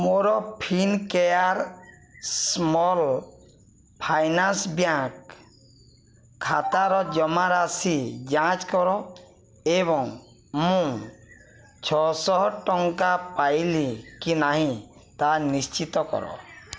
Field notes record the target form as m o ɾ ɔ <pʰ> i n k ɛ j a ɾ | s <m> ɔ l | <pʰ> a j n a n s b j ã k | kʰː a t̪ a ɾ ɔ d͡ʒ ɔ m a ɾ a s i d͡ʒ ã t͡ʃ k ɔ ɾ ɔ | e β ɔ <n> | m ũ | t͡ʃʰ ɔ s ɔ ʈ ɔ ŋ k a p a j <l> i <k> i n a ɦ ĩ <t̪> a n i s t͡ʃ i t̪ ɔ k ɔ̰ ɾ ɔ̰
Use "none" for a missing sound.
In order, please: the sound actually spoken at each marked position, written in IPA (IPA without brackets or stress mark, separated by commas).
pʰ, m, pʰ, ŋ, l, k, t̪